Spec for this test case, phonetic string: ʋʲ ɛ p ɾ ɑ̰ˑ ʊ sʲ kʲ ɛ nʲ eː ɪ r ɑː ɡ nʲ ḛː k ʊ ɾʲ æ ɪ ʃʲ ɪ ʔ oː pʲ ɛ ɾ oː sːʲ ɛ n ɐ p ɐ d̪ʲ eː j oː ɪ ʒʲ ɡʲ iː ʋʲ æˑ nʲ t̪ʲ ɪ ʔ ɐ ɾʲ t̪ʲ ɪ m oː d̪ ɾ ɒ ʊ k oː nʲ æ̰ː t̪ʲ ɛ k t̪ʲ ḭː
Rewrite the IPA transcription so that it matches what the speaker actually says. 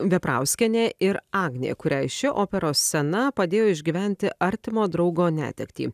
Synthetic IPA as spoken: ʋʲ ɛ p ɾ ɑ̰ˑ ʊ sʲ kʲ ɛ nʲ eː ɪ ɾ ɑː ɡ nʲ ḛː k ʊ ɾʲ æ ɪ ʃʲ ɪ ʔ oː pʲ ɛ ɾ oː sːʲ ɛ n ɐ p ɐ d̪ʲ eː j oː ɪ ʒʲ ɡʲ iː ʋʲ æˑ nʲ t̪ʲ ɪ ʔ ɐ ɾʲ t̪ʲ ɪ m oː d̪ ɾ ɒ ʊ ɡ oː nʲ æ̰ː t̪ʲ ɛ k t̪ʲ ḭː